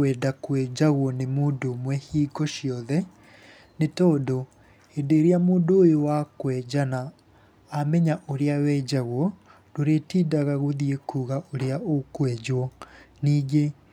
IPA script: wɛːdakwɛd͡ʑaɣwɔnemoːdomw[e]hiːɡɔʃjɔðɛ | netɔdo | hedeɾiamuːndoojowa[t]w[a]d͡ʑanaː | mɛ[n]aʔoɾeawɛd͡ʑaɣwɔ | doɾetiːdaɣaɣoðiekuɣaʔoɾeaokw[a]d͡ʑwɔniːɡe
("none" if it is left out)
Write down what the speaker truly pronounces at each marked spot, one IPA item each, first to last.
ɛ, k, ɛ, ɲ, ɛ

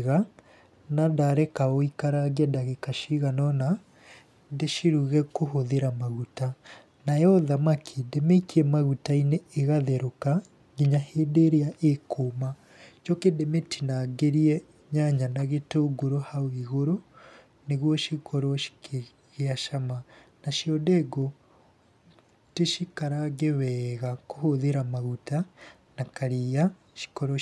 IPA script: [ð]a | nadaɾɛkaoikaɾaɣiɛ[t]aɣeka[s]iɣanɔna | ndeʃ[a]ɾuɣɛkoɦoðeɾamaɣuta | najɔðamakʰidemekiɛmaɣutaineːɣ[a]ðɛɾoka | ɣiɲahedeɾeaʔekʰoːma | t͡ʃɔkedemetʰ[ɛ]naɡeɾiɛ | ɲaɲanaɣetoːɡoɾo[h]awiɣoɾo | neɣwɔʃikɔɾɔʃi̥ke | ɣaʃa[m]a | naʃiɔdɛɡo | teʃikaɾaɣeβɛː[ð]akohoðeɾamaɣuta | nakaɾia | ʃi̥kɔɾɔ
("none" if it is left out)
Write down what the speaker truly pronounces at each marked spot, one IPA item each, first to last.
ɣ, d, ʃ, i, a, i, h, m, ɣ

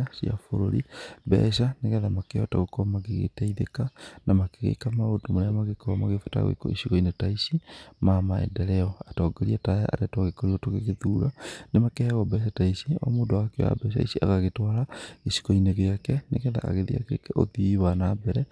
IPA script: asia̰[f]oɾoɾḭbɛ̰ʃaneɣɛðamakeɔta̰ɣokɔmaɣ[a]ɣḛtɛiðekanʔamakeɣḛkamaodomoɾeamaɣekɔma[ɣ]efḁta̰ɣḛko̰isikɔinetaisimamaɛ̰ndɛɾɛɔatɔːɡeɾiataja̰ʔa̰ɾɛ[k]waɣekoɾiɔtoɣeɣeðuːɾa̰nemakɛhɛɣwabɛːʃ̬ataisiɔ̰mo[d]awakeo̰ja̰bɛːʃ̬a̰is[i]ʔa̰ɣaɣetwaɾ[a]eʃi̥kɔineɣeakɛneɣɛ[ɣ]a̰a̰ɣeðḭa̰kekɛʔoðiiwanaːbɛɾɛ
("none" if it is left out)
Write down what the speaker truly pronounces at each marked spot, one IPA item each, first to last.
f, e, ɣ, t, d, i, a, ð

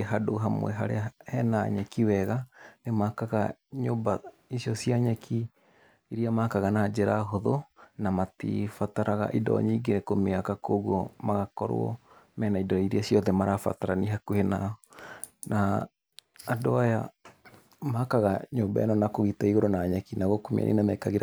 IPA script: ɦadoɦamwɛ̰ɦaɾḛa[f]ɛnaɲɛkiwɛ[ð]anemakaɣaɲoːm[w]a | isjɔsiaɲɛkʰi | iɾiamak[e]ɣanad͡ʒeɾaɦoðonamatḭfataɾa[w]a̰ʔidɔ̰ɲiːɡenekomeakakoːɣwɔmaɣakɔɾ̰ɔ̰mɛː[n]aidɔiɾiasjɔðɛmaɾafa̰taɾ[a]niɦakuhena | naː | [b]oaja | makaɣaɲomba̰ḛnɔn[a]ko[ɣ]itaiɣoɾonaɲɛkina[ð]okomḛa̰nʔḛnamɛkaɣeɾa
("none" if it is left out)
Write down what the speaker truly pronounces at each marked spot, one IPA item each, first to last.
h, ɣ, b, a, ɣ, n, a, d, a, ɣ, ɣ

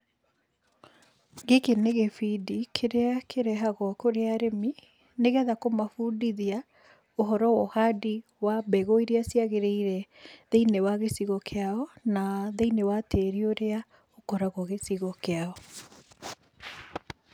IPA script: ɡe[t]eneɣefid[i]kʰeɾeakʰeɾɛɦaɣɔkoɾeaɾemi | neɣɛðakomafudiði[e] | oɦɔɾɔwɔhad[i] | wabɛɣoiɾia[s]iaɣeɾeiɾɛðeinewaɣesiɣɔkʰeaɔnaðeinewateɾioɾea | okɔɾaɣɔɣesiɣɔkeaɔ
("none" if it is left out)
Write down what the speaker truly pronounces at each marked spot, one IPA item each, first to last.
k, i, a, i, s

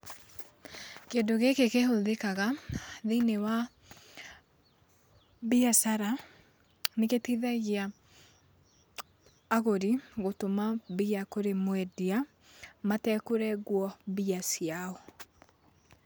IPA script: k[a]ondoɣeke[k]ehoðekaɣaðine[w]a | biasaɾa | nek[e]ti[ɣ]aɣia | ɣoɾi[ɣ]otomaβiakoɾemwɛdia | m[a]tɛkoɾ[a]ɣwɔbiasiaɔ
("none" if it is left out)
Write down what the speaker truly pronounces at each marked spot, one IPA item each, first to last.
e, k, w, e, ð, ɣ, a, ɛ

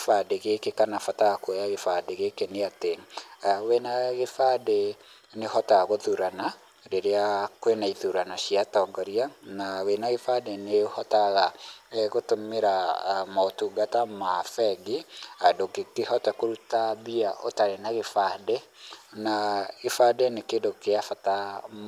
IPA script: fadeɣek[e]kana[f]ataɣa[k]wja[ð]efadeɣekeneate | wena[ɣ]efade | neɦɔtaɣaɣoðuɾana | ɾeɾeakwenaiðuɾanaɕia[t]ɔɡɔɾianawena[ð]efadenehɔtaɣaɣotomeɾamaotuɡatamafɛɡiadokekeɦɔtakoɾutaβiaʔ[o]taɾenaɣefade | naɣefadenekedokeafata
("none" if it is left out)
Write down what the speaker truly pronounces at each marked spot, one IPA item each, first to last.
e, f, k, ɣ, ɣ, t, ɣ, o

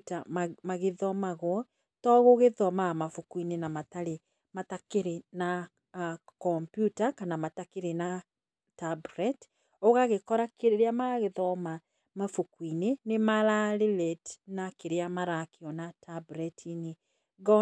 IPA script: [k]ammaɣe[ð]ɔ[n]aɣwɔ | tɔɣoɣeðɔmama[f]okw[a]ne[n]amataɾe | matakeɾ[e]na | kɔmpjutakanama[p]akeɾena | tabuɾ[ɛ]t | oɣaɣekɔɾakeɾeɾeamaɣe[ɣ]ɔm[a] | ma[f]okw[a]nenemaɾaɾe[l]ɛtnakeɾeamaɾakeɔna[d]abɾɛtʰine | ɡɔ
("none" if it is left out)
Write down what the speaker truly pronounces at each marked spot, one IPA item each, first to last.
t, ð, m, f, i, n, e, t, ɛ, ð, a, f, i, l, t

